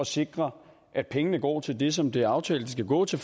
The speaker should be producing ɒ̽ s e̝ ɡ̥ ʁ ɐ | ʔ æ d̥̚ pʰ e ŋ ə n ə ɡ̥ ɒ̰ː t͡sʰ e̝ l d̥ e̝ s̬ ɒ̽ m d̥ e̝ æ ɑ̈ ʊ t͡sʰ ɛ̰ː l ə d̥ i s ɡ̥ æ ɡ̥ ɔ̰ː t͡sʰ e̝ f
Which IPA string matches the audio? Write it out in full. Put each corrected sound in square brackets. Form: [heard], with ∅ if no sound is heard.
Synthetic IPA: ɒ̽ s e̝ ɡ̥ ʁ ɐ | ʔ æ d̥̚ pʰ e ŋ ə n ə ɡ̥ ɒ̰ː t͡sʰ e̝ l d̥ e̝ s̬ ɒ̽ m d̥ e̝ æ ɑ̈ ʊ t͡sʰ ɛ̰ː l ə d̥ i s ɡ̥ æ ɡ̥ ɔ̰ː t͡sʰ e̝ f